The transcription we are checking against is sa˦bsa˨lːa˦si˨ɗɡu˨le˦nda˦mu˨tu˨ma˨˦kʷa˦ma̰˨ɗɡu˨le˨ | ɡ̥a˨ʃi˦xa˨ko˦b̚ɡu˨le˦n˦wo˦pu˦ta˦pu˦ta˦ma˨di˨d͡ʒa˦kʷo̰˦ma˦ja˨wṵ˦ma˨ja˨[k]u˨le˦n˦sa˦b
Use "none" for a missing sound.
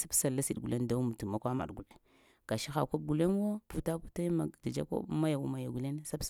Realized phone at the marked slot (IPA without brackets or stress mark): ɡ